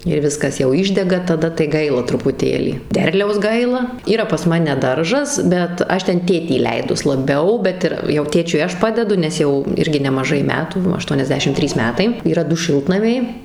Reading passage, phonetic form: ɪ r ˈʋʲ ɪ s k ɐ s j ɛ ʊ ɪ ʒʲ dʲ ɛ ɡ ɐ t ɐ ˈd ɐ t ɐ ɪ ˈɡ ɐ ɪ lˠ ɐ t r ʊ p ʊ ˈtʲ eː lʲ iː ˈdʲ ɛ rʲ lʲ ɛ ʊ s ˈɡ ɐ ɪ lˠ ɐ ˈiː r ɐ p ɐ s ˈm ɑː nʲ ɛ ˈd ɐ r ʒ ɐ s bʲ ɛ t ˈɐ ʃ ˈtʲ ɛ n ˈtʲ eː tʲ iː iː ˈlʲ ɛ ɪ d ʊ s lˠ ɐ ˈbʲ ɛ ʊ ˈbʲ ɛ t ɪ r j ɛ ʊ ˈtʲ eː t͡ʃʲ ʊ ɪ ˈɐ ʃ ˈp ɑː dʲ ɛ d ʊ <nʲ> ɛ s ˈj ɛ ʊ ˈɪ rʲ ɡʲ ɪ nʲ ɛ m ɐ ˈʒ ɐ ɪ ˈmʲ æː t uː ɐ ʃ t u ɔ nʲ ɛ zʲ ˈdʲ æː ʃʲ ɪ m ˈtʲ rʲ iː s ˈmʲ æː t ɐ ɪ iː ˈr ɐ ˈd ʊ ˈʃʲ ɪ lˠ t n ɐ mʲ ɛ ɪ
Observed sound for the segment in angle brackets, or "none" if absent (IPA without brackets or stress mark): nʲ